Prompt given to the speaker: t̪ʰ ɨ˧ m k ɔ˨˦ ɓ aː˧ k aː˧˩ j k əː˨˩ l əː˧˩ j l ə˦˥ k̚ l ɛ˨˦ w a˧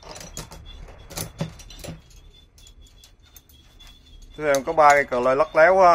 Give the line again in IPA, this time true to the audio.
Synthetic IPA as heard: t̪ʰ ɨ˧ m k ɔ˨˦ ɓ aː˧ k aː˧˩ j k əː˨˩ l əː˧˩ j l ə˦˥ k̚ l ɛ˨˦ w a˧

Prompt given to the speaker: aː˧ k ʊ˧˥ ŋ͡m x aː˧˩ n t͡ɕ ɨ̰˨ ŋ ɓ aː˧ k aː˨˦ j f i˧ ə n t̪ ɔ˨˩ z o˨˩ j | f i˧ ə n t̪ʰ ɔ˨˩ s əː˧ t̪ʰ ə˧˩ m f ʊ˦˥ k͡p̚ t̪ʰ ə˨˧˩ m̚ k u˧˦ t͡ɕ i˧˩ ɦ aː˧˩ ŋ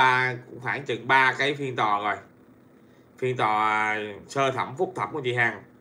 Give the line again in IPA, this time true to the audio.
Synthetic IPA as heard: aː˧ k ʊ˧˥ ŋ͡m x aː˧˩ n t͡ɕ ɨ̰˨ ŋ ɓ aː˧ k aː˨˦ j f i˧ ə n t̪ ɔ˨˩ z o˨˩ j | f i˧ ə n t̪ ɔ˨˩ s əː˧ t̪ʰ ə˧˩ m f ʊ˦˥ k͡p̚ t̪ʰ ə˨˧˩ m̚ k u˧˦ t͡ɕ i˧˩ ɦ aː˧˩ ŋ

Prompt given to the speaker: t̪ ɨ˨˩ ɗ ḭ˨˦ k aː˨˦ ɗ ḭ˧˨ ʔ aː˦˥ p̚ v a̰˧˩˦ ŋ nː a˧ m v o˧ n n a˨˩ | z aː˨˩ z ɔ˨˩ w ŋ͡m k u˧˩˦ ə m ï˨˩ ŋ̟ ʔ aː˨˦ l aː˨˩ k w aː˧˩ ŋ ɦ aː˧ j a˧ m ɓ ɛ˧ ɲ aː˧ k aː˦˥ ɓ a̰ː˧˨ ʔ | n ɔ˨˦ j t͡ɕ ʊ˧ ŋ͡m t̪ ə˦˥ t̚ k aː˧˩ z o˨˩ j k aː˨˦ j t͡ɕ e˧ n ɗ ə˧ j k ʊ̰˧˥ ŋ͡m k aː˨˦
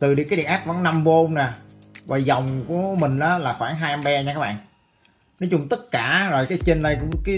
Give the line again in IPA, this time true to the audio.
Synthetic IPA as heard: t̪ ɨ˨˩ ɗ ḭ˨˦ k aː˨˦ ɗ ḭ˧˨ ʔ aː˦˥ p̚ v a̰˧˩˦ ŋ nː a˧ m v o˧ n n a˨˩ | v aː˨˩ z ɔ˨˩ w ŋ͡m k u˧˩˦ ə m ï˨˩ ŋ̟ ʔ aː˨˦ l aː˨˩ x w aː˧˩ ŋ ɦ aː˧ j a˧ m ɓ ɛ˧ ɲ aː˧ k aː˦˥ ɓ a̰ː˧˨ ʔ | n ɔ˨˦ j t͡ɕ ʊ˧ ŋ͡m t̪ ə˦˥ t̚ k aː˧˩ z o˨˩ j k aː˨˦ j t͡ɕ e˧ n ɗ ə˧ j k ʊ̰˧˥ ŋ͡m k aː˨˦

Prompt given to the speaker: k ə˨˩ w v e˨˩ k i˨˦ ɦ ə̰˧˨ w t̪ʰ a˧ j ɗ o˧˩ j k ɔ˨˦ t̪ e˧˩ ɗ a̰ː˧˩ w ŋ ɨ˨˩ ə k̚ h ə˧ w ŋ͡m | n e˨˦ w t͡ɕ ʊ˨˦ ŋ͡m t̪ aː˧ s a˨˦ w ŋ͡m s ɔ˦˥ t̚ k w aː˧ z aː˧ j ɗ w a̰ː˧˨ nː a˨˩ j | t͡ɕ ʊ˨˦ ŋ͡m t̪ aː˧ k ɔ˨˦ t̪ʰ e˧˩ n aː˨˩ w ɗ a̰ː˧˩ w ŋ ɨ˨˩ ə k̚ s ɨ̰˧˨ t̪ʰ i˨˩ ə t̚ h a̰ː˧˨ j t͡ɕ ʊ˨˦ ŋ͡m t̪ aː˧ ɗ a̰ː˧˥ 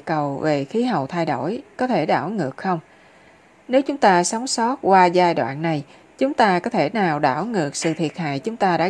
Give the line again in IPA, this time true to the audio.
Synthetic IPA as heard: k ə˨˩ w v e˨˩ x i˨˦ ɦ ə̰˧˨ w t̪ʰ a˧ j ɗ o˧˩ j k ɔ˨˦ t̪ʰ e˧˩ ɗ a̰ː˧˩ w ŋ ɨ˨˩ ə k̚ x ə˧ w ŋ͡m | n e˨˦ w t͡ɕ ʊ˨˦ ŋ͡m t̪ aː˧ s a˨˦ w ŋ͡m s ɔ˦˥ t̚ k w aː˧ z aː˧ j ɗ w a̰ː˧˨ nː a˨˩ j | t͡ɕ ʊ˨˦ ŋ͡m t̪ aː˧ k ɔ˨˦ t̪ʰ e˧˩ n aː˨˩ w ɗ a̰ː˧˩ w ŋ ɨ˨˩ ə k̚ s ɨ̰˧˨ t̪ʰ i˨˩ ə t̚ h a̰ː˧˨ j t͡ɕ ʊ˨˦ ŋ͡m t̪ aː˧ ɗ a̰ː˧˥

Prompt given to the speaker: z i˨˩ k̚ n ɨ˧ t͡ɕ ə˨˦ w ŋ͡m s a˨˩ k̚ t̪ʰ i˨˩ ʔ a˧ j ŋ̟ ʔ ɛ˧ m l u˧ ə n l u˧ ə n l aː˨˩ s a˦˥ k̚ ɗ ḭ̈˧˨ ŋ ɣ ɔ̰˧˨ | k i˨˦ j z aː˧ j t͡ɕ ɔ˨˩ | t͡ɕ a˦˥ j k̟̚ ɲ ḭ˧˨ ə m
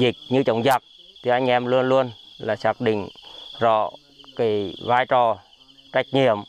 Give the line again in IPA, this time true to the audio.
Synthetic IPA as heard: z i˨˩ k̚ ɲ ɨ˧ t͡ɕ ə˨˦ w ŋ͡m z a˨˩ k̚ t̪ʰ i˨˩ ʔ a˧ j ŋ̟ ʔ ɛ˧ m l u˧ ə n l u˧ ə n l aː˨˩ s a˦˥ k̚ ɗ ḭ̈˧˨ ŋ z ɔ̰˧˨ | k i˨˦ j v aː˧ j t͡ɕ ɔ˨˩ | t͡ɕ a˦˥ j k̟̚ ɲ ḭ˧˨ ə m

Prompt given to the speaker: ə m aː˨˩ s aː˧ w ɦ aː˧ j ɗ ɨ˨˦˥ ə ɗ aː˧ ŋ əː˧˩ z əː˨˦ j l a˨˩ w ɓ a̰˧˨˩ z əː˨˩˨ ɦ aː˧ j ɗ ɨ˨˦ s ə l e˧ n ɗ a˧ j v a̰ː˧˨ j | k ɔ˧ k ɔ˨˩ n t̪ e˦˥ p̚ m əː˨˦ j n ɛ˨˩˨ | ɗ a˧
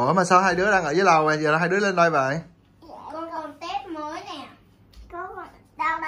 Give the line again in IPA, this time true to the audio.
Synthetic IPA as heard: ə m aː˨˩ s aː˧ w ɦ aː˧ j ɗ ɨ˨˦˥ ə ɗ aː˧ ŋ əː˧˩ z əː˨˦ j l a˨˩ w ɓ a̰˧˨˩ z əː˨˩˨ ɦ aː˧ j ɗ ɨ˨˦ ə l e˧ n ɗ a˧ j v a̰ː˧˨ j | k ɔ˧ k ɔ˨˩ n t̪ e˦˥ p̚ m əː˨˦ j n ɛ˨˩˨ | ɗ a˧

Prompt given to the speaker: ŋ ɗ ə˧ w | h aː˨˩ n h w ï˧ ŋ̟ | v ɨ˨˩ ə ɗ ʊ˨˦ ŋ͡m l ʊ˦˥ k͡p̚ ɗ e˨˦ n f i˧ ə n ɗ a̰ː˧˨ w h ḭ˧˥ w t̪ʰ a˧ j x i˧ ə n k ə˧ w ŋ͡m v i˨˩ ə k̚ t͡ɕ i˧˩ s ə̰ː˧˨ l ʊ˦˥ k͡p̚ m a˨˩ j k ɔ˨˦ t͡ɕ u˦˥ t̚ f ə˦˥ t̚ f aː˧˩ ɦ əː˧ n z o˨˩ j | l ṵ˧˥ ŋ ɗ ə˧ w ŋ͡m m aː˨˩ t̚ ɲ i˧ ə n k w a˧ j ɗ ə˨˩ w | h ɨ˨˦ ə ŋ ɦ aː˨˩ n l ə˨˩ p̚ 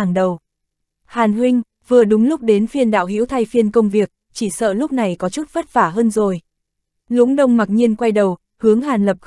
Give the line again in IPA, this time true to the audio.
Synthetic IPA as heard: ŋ ɗ ə˨˩ w | h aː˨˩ n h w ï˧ ŋ̟ | v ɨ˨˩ ə ɗ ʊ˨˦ ŋ͡m l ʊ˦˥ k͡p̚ ɗ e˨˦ n f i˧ ə n ɗ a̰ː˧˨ w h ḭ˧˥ w t̪ʰ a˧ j f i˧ ə n k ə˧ w ŋ͡m v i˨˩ ə k̚ t͡ɕ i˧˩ s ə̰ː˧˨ l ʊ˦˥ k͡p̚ n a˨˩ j k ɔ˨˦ t͡ɕ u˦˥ t̚ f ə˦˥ t̚ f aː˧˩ ɦ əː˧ n z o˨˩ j | l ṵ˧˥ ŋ ɗ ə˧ w ŋ͡m m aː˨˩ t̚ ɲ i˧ ə n k w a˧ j ɗ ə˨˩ w | h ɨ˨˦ ə ŋ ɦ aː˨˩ n l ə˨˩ p̚

